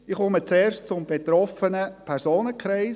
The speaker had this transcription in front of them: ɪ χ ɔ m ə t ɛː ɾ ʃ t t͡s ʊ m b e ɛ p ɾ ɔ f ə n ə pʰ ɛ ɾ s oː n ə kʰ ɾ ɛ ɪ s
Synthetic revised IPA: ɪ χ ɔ m ə t͡s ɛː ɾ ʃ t t͡s ʊ m b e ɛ t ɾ ɔ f ə n ə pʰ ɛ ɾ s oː n ə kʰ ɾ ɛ ɪ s